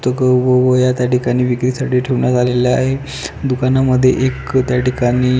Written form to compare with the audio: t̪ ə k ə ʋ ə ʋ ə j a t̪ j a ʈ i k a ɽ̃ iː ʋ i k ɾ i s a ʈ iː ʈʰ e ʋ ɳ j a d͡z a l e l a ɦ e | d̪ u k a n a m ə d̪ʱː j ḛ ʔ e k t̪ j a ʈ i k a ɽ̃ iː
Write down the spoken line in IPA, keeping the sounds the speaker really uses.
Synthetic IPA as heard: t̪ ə k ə ʋ ə ʋ ə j a t̪ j a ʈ i k a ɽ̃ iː ʋ i k ɾ i s a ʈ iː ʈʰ e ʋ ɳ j a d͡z a l e l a ɦ e | d̪ u k a n a m ə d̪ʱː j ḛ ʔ e k t̪ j a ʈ i k a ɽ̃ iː